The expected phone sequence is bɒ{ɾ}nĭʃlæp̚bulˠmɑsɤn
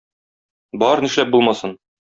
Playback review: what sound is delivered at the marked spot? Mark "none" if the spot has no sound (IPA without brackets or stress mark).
ɾ